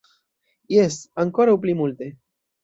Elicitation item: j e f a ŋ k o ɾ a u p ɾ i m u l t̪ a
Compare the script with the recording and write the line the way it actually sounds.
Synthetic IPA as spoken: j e s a ŋ k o ɾ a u p l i m u l t̪ e

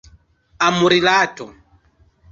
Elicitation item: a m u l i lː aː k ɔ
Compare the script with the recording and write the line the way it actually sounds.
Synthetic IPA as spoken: a m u ɾ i l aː t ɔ

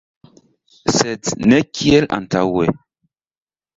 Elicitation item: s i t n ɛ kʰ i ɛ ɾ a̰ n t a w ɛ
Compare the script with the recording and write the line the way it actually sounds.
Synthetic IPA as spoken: s ɛ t n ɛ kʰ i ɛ l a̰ n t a w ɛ

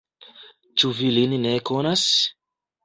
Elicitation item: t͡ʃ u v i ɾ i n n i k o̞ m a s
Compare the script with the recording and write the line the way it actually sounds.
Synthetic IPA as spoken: t͡ʃ u v i l i n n e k o̞ n a s

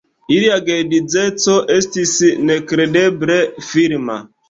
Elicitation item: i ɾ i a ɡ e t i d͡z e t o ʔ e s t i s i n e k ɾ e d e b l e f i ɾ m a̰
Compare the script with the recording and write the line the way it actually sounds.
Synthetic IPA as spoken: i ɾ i a ɡ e d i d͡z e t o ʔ e s t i s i n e k ɾ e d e b ɾ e f i ɾ m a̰

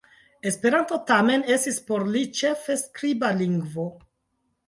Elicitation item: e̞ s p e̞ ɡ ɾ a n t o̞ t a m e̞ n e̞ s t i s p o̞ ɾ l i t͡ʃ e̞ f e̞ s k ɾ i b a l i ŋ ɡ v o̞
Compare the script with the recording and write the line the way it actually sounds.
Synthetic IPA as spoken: e̞ s p e̞ ɾ a n t o̞ t a m e̞ n e̞ s t i s p o̞ ɾ l i t͡ʃ e̞ f e̞ s k ɾ i b a l i ŋ ɡ v o̞

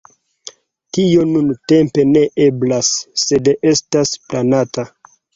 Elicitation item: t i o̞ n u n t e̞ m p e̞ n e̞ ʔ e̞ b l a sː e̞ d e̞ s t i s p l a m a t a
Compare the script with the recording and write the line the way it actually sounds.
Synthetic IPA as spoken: t i o̞ n u n t e̞ m p e̞ n e̞ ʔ e̞ b l a sː e̞ d e̞ s t a s p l a n a t a

